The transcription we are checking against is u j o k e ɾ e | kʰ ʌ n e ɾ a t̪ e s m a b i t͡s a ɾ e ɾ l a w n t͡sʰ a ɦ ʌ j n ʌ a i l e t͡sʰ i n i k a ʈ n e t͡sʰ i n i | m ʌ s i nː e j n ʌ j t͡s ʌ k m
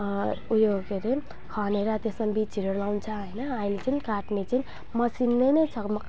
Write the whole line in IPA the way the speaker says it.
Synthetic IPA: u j o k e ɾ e | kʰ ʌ n e ɾ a t̪ e s m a b i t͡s i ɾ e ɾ l a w n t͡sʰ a ɦ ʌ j n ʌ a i l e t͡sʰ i n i k a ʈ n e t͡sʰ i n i | m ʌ s i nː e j n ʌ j t͡sʰ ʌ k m